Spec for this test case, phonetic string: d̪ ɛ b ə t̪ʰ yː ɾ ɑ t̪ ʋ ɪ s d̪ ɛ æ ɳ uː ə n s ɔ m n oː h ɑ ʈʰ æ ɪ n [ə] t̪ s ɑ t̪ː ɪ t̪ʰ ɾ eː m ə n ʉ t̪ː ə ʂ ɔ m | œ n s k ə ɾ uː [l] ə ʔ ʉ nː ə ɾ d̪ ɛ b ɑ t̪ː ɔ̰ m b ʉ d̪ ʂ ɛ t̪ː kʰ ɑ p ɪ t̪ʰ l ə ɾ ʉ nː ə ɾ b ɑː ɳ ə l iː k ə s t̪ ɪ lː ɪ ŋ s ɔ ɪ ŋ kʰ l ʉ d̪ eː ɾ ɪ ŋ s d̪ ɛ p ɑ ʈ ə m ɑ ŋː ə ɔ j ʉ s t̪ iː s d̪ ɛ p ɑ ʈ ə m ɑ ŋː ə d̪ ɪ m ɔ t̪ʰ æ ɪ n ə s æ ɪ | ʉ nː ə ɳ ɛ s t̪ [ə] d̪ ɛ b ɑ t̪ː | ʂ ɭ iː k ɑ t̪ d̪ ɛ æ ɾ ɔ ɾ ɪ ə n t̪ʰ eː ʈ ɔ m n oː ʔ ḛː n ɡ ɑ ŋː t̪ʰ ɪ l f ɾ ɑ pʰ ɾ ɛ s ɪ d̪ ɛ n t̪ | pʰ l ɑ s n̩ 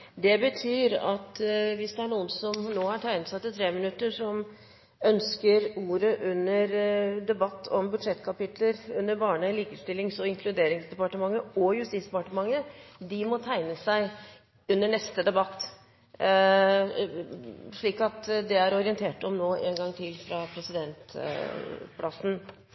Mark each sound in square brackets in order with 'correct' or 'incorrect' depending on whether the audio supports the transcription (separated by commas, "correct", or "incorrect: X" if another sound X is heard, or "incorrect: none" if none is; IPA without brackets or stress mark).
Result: correct, incorrect: ɾ, correct